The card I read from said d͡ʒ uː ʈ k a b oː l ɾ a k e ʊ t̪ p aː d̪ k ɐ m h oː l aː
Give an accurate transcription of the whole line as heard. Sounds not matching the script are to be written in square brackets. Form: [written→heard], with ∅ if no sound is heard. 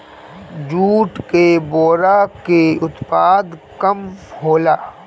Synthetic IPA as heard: d͡ʒ uː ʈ k [a→e] b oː [l→∅] ɾ a k e ʊ t̪ p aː d̪ k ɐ m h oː l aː

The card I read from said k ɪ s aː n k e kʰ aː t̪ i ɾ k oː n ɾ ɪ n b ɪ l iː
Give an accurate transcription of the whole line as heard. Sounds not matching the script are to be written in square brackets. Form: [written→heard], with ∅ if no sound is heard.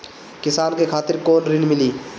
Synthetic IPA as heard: k ɪ s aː n k e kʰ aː t̪ [i→ɪ] ɾ k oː n ɾ ɪ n [b→m] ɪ l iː

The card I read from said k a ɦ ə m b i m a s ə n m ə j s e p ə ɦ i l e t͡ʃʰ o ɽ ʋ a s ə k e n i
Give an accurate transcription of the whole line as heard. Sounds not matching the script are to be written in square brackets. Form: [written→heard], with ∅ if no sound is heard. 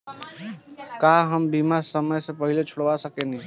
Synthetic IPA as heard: k a ɦ ə m b i m a s ə [n→∅] m ə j s e p ə ɦ i l e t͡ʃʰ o ɽ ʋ a s ə k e n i

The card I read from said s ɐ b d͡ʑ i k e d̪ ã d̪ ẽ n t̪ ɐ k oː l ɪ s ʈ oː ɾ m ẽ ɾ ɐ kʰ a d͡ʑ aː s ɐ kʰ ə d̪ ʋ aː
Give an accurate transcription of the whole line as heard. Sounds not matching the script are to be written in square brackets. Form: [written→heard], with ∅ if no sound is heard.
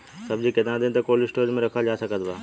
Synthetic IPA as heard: s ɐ b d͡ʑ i k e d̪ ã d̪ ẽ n t̪ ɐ k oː l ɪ s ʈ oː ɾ m ẽ ɾ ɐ kʰ a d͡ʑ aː s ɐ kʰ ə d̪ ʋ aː

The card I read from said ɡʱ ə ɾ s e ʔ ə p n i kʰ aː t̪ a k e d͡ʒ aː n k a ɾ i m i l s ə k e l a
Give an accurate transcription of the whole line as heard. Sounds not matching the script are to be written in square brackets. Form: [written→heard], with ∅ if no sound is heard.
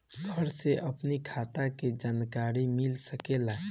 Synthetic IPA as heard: ɡʱ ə ɾ s e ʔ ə p n i kʰ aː t̪ a k e d͡ʒ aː n k a ɾ i m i l s ə k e l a

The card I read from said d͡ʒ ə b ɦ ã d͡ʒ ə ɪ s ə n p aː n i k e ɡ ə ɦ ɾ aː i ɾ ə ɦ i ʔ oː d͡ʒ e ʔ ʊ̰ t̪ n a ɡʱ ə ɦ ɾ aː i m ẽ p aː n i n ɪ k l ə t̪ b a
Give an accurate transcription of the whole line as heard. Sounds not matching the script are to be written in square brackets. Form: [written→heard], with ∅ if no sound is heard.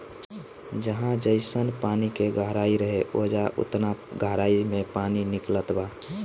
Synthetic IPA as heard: d͡ʒ ə [b→∅] ɦ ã d͡ʒ ə ɪ s ə n p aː n i k e ɡ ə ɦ ɾ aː i ɾ ə ɦ [i→e] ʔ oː d͡ʒ [e→a] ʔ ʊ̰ t̪ n a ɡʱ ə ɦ ɾ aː i m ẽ p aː n i n ɪ k l ə t̪ b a

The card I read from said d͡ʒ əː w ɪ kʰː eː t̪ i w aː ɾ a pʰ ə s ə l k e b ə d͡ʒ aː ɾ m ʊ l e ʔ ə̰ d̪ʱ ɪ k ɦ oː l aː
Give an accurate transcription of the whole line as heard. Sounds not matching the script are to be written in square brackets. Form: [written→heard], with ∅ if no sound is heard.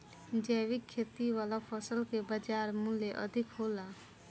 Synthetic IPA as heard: d͡ʒ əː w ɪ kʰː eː t̪ i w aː [ɾ→l] a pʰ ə s ə l k e b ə d͡ʒ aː ɾ m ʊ l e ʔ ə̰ d̪ʱ ɪ k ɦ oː l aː

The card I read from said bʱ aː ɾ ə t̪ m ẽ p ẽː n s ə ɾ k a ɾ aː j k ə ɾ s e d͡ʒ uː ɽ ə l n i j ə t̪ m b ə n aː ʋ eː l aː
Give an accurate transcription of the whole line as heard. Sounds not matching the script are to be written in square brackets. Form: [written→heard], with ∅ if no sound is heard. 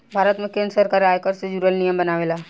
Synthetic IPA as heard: bʱ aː ɾ ə t̪ m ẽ [p→k] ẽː n s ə ɾ k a ɾ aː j k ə ɾ s e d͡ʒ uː [ɽ→ɾ] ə l n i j ə [t̪→∅] m b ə n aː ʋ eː l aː

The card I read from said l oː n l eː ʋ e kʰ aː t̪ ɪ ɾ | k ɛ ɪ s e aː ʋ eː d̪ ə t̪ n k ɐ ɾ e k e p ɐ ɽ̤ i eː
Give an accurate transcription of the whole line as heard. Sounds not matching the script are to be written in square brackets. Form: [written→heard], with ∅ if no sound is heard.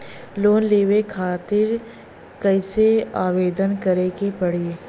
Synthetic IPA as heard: l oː n l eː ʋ e kʰ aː t̪ ɪ ɾ | k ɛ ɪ s e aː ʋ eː d̪ ə [t̪→∅] n k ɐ ɾ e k e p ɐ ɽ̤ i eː

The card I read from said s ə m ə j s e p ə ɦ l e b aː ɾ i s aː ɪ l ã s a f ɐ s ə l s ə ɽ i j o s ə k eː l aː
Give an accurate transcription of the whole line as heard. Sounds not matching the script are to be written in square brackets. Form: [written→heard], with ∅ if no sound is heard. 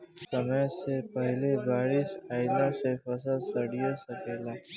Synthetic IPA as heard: s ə m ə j s e p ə ɦ l e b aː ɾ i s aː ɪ l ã s [a→e] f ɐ s ə l s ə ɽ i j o s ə k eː l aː

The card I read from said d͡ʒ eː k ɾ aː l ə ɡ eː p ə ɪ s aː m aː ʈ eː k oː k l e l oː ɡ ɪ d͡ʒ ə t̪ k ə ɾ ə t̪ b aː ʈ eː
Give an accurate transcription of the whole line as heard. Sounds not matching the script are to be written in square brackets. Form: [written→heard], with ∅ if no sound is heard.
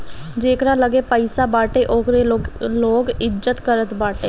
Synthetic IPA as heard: d͡ʒ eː k ɾ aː l ə ɡ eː p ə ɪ s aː [m→b] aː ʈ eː [k→ʔ] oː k [l→ɾ] e l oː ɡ ɪ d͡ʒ ə t̪ k ə ɾ ə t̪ b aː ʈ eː

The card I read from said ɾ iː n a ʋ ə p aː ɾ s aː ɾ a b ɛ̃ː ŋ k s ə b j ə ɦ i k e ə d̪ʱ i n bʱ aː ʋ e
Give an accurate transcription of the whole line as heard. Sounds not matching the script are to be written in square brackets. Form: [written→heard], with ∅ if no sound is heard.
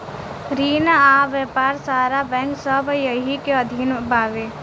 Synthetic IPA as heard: ɾ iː n a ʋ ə p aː ɾ s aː ɾ a b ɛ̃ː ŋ k s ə b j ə ɦ i k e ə d̪ʱ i n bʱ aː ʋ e

